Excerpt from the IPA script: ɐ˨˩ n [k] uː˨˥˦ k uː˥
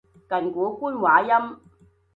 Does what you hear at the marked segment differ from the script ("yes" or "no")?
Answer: no